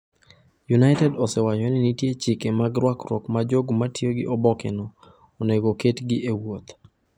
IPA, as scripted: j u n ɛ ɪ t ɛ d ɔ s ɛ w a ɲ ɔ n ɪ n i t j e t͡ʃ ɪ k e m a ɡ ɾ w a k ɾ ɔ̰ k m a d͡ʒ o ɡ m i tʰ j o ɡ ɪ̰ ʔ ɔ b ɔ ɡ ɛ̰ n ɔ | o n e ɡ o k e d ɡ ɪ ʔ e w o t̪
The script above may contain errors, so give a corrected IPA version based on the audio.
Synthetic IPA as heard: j u n a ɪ t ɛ d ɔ s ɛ w a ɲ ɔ n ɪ n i t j e t͡ʃ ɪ k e m a ɡ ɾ w a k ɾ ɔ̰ k m a d͡ʒ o ɡ m a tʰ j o ɡ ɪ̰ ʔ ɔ b ɔ k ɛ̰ n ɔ | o n e ɡ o k e t ɡ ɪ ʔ e w o t̪